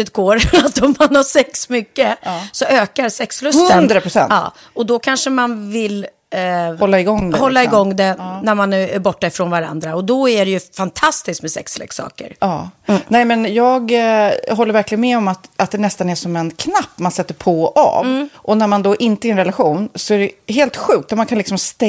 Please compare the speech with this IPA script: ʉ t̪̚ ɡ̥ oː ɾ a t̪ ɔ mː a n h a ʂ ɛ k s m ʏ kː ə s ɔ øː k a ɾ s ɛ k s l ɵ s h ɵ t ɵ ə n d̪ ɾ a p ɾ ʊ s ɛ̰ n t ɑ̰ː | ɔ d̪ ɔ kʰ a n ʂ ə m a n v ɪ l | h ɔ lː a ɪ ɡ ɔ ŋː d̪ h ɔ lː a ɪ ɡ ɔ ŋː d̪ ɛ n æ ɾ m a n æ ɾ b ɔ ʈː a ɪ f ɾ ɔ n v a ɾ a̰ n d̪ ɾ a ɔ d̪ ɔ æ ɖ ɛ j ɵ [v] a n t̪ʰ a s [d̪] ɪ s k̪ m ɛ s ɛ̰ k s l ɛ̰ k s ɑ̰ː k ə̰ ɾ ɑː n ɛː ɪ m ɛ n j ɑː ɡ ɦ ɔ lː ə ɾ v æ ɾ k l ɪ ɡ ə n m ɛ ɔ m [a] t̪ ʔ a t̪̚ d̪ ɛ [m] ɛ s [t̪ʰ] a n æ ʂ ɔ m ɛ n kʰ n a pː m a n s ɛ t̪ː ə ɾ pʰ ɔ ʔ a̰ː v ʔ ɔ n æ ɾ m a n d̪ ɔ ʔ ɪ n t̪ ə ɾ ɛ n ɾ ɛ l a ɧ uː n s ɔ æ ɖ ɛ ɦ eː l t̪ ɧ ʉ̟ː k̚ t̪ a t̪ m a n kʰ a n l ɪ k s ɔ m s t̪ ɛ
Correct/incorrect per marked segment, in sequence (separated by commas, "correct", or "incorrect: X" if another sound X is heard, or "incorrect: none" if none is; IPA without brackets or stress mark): incorrect: f, incorrect: t̪, correct, incorrect: n, incorrect: t̪